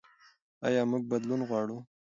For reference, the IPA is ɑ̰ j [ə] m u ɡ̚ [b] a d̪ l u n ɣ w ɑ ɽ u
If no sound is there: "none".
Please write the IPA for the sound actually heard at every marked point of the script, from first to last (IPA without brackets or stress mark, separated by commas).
ɑ, b